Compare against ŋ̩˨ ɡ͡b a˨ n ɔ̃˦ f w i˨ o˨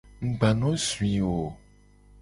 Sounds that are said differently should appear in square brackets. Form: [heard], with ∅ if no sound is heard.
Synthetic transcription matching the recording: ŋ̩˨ ɡ͡b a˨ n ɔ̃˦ [s] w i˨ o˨

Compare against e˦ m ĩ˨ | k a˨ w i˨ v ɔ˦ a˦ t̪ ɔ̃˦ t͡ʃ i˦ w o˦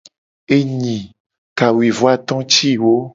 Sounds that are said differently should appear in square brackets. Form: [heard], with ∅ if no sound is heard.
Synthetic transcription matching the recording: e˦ [ɲ] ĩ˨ | k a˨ w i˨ v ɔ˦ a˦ t̪ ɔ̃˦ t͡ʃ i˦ w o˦

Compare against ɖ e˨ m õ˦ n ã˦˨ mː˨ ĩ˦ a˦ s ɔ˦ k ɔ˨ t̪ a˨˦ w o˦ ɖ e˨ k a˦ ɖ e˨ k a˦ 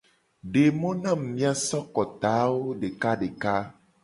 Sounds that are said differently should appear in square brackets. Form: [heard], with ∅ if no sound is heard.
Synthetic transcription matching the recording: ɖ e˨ m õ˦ n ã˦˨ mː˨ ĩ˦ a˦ s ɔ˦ k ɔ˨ t̪ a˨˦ w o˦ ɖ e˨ k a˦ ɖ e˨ k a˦

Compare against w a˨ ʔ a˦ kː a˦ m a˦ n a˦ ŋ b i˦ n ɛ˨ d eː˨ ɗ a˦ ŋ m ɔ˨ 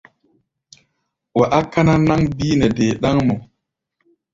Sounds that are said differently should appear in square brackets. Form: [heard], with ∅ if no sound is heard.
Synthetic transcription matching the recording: w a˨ ʔ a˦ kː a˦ [n] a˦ n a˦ ŋ b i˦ n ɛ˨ d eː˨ ɗ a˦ ŋ m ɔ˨

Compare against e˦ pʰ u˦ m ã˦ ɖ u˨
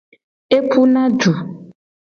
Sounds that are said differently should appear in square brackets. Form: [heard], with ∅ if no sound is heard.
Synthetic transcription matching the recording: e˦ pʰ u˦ [n] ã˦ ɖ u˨

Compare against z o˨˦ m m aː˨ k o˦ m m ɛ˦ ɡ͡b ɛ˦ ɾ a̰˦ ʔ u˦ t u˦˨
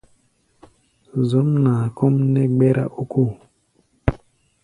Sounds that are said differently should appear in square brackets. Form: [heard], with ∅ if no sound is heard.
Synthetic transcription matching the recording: z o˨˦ m [n] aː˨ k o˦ m [n] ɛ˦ ɡ͡b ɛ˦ ɾ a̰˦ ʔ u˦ [k] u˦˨

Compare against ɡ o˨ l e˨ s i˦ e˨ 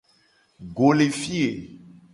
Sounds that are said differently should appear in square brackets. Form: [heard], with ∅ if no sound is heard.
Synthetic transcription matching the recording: ɡ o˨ l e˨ [f] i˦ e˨

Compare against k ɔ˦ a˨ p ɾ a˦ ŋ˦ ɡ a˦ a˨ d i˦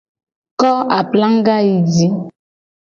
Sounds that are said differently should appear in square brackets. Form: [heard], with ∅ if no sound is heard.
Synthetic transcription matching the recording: k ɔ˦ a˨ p [l] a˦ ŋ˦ ɡ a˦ [i˨] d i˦

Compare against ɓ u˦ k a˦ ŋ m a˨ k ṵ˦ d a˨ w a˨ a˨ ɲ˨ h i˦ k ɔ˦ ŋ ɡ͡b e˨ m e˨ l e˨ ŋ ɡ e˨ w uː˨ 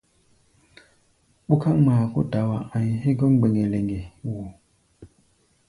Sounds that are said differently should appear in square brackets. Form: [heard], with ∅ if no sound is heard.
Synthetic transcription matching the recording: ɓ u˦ k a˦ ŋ m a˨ k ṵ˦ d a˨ w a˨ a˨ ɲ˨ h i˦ [ɡ] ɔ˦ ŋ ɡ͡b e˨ [ŋ] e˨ l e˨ ŋ ɡ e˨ w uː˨

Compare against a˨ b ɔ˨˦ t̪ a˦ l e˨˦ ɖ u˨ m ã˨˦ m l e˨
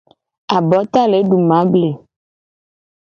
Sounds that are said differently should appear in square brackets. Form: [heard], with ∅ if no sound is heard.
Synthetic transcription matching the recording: a˨ b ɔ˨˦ t̪ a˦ l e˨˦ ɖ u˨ m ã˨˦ [b] l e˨

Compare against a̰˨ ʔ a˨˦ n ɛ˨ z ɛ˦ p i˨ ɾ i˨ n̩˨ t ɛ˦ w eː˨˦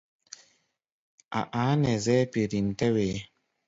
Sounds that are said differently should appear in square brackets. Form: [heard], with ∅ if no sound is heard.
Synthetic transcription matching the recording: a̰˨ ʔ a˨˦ n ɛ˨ z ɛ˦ p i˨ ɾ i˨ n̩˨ t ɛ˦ w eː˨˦

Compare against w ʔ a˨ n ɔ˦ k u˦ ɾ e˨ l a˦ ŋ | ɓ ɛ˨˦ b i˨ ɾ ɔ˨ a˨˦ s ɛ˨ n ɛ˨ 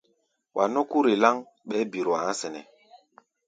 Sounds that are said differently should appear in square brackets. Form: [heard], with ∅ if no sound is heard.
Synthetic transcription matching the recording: w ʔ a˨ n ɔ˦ k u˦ ɾ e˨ l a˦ ŋ | ɓ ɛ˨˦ b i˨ ɾ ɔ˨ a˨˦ s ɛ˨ n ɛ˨

